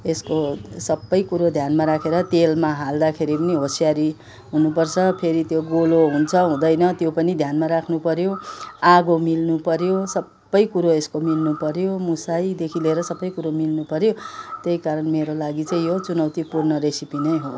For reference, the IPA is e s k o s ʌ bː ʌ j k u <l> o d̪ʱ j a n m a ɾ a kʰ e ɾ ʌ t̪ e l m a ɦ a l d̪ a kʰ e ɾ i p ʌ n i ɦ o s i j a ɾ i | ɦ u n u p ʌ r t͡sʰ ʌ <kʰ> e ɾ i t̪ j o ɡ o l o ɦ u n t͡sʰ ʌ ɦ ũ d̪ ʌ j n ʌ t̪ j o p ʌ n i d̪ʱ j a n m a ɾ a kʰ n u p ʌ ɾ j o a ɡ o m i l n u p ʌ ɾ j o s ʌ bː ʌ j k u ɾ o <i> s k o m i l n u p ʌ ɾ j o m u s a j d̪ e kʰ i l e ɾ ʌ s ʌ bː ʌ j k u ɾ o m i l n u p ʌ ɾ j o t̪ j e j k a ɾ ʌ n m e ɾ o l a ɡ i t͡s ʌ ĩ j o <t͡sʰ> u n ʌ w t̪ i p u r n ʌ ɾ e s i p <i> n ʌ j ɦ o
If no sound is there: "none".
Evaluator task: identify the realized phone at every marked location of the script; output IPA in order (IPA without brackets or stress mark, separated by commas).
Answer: ɾ, pʰ, e, t͡s, i